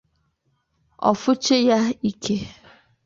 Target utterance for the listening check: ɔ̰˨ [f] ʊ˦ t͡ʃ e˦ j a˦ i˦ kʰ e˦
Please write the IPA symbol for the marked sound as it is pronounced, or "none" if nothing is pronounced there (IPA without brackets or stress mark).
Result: f